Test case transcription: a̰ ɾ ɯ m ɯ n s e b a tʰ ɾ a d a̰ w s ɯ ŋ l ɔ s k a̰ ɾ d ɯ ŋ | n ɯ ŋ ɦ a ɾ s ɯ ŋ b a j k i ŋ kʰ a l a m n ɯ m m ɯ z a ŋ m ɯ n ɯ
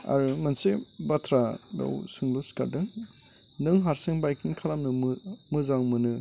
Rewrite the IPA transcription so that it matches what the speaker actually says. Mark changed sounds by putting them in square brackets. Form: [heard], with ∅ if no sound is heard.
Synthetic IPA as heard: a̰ ɾ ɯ m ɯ n s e b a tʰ ɾ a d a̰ w s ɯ ŋ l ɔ s k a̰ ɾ d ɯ ŋ | n ɯ ŋ ɦ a ɾ s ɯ ŋ b a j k i ŋ kʰ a l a m n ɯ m m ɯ z a ŋ m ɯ n ɯ